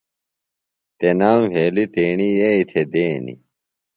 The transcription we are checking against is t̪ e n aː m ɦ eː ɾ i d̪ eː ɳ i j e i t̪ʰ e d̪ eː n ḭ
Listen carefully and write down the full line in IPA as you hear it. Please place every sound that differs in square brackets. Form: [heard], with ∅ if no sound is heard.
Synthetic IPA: t̪ e n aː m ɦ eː [l] i [t̪] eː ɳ i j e i t̪ʰ e d̪ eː n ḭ